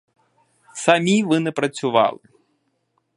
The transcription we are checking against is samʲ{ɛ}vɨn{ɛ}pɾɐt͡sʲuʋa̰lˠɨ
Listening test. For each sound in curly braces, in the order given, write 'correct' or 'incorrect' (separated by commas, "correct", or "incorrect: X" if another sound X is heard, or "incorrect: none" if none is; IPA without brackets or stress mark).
incorrect: i, correct